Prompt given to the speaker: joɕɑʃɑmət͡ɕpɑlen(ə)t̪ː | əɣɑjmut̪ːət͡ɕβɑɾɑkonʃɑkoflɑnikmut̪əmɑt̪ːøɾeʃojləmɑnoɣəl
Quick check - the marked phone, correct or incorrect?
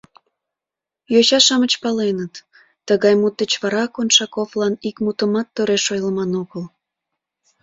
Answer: correct